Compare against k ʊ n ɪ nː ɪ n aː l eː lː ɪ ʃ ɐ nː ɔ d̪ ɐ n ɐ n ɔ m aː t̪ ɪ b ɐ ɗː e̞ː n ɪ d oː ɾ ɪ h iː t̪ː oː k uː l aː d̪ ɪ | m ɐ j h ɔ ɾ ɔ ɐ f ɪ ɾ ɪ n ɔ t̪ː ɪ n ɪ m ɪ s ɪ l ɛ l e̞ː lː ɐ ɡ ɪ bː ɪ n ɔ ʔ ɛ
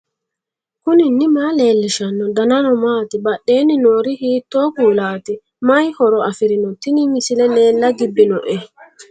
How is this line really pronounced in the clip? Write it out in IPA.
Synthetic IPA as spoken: k ʊ n ɪ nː ɪ m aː l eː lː ɪ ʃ ɐ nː ɔ d̪ ɐ n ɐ n ɔ m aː t̪ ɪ b ɐ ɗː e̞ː n ɪ n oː ɾ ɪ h iː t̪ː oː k uː l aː t̪ ɪ | m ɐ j h ɔ ɾ ɔ ɐ f ɪ ɾ ɪ n ɔ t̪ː ɪ n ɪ m ɪ s ɪ l ɛ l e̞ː lː ɐ ɡ ɪ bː ɪ n ɔ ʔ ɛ